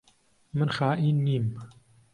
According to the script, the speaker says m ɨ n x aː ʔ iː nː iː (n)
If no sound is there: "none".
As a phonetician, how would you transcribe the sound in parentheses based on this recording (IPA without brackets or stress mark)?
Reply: m